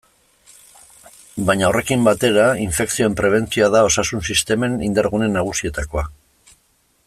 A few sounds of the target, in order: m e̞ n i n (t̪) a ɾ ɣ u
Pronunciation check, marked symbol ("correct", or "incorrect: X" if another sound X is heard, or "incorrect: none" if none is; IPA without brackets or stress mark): incorrect: d̪